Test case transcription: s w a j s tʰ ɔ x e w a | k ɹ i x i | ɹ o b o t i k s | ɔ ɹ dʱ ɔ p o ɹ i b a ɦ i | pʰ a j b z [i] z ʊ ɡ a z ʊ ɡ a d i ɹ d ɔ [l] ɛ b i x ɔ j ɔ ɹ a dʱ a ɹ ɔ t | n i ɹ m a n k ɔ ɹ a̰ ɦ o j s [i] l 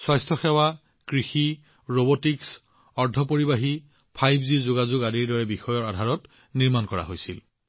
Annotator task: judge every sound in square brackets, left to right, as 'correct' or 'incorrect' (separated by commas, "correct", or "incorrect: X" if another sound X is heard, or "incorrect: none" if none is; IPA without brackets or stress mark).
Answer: correct, incorrect: ɹ, correct